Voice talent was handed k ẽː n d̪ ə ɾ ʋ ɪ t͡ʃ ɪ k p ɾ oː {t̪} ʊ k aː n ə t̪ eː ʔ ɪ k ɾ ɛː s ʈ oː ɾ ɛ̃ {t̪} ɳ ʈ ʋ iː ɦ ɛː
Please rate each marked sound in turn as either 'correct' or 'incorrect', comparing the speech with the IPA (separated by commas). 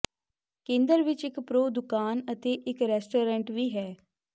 incorrect, incorrect